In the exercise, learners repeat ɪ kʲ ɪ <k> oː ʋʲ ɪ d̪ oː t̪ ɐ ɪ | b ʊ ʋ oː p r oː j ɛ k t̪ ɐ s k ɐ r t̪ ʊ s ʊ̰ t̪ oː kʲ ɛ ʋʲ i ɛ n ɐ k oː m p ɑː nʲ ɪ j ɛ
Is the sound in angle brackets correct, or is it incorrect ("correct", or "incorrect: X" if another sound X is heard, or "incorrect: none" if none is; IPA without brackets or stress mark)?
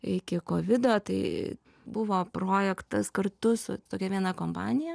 correct